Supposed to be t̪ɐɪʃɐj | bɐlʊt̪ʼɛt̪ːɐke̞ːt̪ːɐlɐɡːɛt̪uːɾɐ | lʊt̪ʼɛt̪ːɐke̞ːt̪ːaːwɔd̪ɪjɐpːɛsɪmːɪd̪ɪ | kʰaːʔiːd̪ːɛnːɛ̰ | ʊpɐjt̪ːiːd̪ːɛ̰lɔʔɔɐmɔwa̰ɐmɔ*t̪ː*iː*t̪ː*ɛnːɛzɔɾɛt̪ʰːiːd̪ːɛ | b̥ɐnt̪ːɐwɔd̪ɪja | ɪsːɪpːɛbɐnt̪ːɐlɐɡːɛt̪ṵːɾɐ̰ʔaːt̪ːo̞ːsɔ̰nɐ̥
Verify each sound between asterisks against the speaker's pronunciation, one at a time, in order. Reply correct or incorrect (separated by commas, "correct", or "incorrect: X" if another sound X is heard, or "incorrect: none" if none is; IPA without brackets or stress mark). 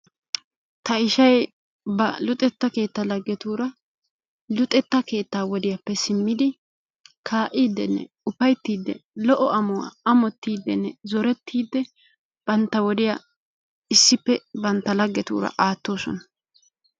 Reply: correct, incorrect: d̪ː